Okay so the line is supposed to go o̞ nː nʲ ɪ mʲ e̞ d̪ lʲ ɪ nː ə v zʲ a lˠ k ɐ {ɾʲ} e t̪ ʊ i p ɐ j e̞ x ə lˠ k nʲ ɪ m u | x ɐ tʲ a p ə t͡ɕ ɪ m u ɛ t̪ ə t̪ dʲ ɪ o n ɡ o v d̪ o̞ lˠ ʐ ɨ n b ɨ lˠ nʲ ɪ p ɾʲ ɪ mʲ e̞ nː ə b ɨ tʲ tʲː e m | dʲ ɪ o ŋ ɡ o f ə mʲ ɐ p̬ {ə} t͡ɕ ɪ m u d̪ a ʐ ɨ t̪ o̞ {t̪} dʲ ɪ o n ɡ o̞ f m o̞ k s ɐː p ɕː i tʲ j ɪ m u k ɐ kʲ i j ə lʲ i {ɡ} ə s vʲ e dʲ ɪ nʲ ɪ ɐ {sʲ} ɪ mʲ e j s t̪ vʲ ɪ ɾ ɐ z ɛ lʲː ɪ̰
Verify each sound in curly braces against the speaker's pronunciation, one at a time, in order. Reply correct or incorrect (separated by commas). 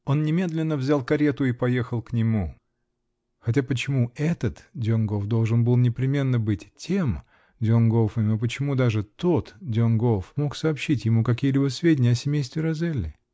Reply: correct, correct, correct, incorrect, correct